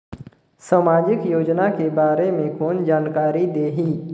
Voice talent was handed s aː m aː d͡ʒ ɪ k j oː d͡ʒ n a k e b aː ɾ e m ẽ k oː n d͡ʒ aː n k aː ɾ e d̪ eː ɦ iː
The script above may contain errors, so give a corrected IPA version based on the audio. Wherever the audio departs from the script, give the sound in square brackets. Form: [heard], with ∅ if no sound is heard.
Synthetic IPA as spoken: s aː m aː d͡ʒ ɪ k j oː d͡ʒ n a k e b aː ɾ e m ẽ k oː n d͡ʒ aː n k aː ɾ [i] d̪ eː ɦ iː